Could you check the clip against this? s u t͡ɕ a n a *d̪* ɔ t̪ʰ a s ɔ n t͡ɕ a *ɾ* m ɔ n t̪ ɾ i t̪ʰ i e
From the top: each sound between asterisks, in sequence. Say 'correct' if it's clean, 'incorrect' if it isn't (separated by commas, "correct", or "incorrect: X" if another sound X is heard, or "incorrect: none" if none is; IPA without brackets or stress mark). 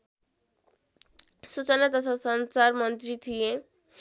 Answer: incorrect: t̪, correct